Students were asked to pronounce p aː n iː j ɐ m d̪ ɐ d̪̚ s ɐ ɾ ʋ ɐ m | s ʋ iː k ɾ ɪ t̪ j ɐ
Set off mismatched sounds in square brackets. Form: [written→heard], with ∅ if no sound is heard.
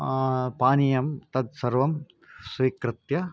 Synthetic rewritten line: p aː n [iː→i] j ɐ m [d̪→t̪] ɐ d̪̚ s ɐ ɾ ʋ ɐ m | s ʋ iː k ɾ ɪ t̪ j ɐ

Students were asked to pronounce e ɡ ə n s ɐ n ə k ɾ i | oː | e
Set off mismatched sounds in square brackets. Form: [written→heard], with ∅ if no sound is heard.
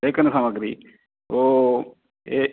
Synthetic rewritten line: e [ɡ→k] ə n s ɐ [n→m] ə [k→ɡ] ɾ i | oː | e

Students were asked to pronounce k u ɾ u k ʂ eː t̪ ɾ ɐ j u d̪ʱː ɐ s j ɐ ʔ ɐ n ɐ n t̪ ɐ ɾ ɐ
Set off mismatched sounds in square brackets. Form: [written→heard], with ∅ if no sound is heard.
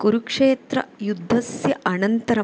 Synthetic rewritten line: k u ɾ u k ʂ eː t̪ ɾ ɐ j u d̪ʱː ɐ s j ɐ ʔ ɐ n ɐ n t̪ ɐ ɾ ɐ

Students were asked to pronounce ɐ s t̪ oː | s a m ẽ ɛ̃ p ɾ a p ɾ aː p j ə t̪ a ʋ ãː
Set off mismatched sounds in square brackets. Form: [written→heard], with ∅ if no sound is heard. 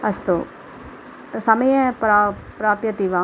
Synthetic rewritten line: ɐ s t̪ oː | s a m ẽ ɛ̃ p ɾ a p ɾ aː p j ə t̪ [a→i] ʋ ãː

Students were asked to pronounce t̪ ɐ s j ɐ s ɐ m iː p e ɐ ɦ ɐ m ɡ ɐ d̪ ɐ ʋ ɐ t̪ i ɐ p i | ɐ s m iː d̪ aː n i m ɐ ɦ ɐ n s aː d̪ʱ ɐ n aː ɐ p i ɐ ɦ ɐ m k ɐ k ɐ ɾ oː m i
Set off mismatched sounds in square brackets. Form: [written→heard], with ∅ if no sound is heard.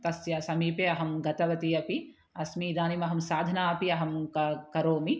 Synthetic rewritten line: t̪ ɐ s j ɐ s ɐ m iː p e ɐ ɦ ɐ m ɡ ɐ [d̪→t̪] ɐ ʋ ɐ t̪ i ɐ p i | ɐ s m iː d̪ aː n i m ɐ ɦ ɐ [n→m] s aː d̪ʱ ɐ n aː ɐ p i ɐ ɦ ɐ m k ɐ k ɐ ɾ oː m i

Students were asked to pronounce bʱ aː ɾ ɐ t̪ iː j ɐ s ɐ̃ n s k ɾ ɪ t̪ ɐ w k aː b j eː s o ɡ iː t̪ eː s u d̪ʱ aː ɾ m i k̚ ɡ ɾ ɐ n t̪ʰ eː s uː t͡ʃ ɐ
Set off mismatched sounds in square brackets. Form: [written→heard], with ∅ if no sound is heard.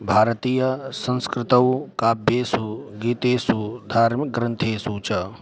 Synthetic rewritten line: bʱ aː ɾ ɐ t̪ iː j ɐ s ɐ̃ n s k ɾ ɪ t̪ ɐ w k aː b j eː s [o→u] ɡ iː t̪ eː s u d̪ʱ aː ɾ m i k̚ ɡ ɾ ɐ n t̪ʰ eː s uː t͡ʃ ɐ

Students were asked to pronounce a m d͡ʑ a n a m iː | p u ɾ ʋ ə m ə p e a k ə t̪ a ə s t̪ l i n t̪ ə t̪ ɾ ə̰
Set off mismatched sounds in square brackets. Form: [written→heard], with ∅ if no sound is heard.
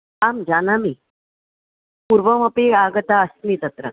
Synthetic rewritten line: a m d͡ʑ a n a m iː | p u ɾ ʋ ə m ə p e a [k→ɡ] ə t̪ a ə s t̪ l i [n→∅] t̪ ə t̪ ɾ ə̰

